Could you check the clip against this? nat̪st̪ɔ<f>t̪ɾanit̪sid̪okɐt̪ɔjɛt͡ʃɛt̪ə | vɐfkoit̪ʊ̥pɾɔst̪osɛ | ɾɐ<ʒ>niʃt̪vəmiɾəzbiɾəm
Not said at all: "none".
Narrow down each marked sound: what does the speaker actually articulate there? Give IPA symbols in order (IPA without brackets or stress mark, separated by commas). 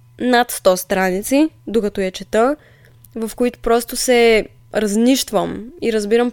s, z